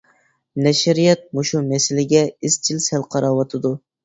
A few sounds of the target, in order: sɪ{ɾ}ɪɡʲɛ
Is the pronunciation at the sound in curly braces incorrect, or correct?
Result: incorrect